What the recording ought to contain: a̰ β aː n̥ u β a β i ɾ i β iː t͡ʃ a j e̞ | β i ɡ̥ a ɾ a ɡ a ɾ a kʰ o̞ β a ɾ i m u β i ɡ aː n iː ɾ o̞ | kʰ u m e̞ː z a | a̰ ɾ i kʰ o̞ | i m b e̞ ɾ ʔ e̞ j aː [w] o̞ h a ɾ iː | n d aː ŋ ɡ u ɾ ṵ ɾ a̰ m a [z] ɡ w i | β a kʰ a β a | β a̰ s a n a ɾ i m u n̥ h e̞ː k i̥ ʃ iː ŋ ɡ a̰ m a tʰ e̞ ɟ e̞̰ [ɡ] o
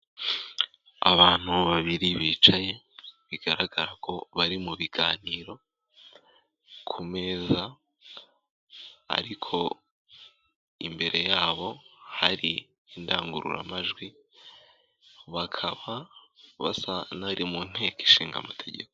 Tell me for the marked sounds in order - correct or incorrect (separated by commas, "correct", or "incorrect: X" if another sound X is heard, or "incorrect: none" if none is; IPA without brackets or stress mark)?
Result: incorrect: β, incorrect: ʒ, incorrect: k